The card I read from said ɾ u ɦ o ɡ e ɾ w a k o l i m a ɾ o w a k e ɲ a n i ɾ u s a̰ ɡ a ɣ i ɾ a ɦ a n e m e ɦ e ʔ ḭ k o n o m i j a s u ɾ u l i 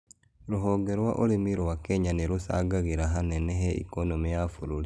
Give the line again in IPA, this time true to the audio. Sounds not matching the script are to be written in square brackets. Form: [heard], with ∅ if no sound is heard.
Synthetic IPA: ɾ u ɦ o ɡ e ɾ w a [ʔ] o l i m [i] ɾ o w a k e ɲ a n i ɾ u s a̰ ɡ a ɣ i ɾ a ɦ a n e [n] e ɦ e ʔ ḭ k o n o m i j a [f] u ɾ u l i